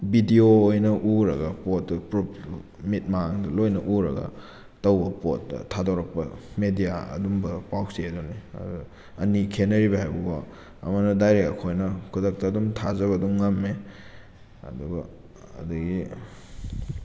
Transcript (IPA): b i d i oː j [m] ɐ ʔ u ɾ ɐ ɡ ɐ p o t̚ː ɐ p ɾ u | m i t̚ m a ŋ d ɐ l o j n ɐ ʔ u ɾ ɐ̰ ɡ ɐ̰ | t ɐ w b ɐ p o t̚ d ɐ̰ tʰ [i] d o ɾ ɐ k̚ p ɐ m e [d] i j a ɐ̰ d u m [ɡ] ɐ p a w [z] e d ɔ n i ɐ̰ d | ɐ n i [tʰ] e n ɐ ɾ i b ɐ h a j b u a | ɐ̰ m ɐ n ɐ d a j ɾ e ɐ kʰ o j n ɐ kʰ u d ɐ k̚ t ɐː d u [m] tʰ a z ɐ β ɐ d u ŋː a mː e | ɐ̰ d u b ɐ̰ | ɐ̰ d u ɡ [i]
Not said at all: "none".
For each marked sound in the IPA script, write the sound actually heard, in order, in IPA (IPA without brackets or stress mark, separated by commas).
n, a, d, b, s, kʰ, m, i